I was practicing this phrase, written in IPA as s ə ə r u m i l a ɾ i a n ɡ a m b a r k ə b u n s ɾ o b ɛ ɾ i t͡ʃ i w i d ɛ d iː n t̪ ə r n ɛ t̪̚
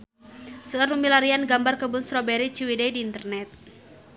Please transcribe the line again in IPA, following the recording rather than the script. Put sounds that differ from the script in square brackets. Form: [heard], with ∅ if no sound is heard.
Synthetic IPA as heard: s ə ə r u m i l a ɾ i a n ɡ a m b a r k ə b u n s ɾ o b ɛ ɾ i t͡ʃ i w i d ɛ d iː n t̪ ə r n ɛ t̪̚